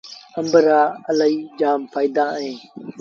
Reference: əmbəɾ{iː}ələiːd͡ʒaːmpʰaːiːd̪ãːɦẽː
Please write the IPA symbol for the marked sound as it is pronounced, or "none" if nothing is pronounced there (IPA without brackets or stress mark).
aː